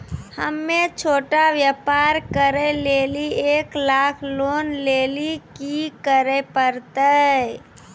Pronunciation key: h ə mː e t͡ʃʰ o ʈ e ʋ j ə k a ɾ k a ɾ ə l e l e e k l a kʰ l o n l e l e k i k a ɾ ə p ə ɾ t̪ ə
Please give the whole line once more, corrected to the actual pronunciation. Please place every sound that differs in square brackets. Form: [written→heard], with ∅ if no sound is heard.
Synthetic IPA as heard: h ə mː e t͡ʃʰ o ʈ [e→a] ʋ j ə [k→p] a ɾ k [a→ə] ɾ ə l e l [e→i] e k l a kʰ l o n l e l [e→i] k i k [a→ə] ɾ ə p ə ɾ t̪ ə